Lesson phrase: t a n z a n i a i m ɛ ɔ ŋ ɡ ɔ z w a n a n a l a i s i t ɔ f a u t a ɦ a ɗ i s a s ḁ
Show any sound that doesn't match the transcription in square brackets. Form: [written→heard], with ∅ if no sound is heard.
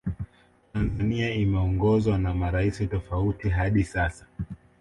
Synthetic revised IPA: t a n z a n i a i m ɛ ɔ ŋ ɡ ɔ z w a n a [n→m] a [l→ɾ] a i s i t ɔ f a u t [a→i] ɦ a ɗ i s a s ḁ